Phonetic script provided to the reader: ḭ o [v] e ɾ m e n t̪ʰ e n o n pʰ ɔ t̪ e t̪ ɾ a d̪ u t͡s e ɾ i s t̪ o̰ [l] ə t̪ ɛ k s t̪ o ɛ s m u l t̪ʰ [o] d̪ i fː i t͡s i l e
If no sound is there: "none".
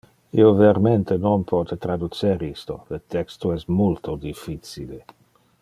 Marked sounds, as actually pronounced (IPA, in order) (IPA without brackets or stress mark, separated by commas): v, l, o